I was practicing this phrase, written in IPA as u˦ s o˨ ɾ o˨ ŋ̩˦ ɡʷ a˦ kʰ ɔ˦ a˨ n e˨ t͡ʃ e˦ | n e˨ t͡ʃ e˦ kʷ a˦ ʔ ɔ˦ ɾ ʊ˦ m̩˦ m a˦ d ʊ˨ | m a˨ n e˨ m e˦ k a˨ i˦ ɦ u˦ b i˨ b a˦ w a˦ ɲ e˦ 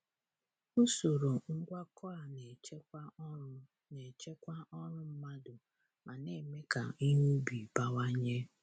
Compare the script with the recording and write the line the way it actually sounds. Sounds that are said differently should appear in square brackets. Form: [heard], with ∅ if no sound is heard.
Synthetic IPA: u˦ s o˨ ɾ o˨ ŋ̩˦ ɡʷ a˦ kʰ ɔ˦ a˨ n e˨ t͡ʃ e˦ | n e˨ t͡ʃ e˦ kʷ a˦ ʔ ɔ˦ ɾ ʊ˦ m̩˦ m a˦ d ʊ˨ | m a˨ n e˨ m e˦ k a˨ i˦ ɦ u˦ b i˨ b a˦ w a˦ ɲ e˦